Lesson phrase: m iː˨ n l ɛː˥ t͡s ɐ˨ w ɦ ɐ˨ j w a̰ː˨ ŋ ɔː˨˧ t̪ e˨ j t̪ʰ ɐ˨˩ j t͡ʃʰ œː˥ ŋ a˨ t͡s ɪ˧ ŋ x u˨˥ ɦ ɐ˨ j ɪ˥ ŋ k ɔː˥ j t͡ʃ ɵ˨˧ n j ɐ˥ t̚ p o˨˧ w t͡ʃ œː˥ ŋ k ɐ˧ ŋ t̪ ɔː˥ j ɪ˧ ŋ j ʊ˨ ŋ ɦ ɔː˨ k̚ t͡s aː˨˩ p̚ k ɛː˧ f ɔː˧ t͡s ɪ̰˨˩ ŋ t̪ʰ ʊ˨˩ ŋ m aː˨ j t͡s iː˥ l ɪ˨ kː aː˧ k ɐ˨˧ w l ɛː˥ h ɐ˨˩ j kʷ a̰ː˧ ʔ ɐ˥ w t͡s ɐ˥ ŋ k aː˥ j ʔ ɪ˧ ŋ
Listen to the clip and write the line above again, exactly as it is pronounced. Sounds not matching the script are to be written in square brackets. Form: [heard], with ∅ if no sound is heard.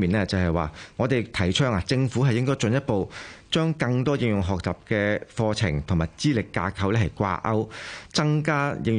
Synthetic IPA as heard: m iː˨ n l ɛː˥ t͡s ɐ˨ w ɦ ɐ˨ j w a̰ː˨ ŋ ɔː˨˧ t̪ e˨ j t̪ʰ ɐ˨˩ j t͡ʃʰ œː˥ ŋ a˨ t͡s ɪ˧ ŋ [f] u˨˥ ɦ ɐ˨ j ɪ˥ ŋ k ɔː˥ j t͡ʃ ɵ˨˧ n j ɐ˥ t̚ p o˨˧ w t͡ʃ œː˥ ŋ k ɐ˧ ŋ t̪ ɔː˥ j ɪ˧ ŋ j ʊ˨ ŋ ɦ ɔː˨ k̚ t͡s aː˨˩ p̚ k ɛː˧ f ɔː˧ [t͡sʰ] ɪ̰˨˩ ŋ t̪ʰ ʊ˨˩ ŋ m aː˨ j t͡s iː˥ l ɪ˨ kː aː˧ [kʰ] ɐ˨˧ w l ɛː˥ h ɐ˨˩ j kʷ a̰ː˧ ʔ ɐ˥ w t͡s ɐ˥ ŋ k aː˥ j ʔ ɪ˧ ŋ